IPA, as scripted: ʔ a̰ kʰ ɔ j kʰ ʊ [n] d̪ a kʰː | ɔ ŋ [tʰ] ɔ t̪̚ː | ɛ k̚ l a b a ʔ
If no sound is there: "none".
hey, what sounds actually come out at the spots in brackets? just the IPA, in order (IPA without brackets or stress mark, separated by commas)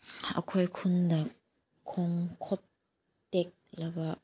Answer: n, kʰ